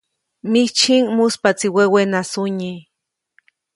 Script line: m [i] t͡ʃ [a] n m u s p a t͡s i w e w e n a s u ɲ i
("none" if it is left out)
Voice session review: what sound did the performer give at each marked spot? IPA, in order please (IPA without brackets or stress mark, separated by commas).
i, i